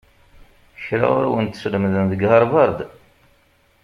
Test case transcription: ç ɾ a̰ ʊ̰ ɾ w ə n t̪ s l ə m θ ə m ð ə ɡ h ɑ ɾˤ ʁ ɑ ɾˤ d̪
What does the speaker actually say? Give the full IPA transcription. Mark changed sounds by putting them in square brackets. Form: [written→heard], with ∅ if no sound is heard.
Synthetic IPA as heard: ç ɾ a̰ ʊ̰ ɾ w ə n t̪ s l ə m [θ→ð] ə [m→n] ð ə ɡ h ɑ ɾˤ [ʁ→v] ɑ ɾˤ d̪